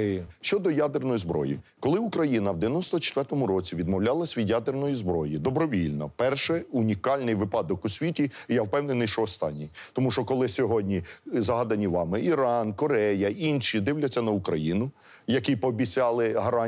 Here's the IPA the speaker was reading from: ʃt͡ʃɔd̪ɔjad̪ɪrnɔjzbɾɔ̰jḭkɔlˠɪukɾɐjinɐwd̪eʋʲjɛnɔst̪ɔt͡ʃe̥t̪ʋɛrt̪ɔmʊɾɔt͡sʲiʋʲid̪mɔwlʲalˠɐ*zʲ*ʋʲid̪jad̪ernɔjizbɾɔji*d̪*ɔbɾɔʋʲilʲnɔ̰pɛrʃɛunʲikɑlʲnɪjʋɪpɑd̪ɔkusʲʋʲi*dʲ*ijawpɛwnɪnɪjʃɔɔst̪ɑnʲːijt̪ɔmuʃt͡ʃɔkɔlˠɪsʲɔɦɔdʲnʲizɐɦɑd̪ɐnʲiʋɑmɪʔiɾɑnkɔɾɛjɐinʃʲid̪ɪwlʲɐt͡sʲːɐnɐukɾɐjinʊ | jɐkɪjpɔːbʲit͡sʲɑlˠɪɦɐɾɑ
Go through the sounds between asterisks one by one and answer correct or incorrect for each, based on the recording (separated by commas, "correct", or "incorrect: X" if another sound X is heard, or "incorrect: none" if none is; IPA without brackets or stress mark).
incorrect: sʲ, correct, incorrect: tʲ